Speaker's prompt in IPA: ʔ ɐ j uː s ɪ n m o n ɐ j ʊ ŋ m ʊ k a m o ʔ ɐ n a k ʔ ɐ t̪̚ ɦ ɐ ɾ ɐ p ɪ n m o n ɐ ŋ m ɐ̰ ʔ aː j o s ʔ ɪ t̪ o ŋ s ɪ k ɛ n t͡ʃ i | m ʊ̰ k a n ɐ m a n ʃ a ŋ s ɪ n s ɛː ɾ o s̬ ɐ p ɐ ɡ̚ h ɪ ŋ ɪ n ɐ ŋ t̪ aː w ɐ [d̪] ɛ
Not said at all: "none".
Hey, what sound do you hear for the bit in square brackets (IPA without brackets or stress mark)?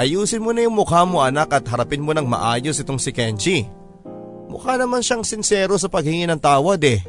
d̪